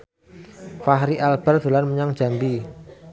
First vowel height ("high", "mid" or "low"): low